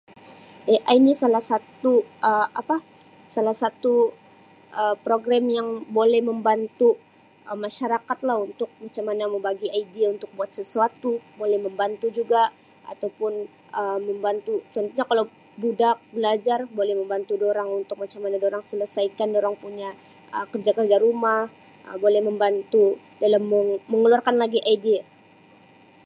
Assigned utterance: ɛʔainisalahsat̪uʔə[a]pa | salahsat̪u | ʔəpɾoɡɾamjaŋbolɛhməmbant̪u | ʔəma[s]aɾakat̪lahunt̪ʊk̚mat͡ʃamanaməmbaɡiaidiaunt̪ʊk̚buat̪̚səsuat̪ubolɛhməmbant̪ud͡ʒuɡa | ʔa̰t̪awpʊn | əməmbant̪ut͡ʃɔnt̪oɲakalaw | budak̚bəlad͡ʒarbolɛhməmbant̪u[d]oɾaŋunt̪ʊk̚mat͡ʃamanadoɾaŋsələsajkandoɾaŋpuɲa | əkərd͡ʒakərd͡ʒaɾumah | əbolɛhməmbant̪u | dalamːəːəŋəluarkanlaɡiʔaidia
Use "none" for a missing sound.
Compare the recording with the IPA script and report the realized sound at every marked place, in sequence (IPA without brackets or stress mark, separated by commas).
a, ʃ, d